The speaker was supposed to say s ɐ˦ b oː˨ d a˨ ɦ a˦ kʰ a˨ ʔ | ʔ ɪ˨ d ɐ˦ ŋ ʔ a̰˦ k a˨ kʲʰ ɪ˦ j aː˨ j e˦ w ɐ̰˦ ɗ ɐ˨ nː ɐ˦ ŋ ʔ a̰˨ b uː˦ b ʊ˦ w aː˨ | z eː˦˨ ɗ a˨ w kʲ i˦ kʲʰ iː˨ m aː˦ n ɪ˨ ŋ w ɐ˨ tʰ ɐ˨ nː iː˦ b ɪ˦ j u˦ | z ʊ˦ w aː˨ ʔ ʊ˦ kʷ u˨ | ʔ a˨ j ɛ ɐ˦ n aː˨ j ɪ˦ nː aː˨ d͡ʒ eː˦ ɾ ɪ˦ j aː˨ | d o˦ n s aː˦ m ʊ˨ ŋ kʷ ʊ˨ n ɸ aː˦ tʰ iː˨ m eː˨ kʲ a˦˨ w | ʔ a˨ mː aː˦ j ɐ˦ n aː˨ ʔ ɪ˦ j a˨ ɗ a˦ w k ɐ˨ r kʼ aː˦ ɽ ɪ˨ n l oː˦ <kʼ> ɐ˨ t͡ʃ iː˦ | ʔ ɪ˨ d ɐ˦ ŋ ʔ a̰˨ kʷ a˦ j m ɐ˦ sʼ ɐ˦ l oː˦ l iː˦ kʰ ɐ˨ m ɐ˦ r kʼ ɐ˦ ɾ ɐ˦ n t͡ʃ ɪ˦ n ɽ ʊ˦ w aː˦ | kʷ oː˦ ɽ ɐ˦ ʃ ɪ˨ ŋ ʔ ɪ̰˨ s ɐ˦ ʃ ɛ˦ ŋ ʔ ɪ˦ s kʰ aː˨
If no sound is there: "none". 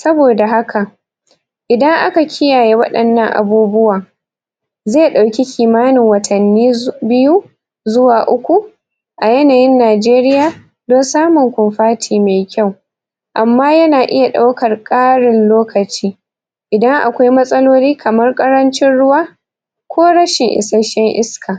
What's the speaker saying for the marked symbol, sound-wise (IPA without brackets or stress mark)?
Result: k